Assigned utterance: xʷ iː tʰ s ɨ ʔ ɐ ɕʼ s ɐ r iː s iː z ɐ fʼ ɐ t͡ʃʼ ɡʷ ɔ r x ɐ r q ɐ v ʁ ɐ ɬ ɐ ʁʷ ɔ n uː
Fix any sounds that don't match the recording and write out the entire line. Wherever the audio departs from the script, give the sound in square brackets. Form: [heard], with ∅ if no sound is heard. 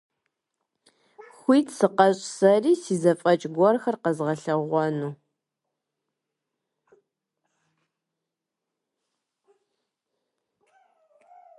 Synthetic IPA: xʷ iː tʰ s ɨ [q] ɐ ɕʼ s ɐ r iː s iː z ɐ fʼ ɐ t͡ʃʼ ɡʷ ɔ r x ɐ r q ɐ [z] ʁ ɐ ɬ ɐ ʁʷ ɔ n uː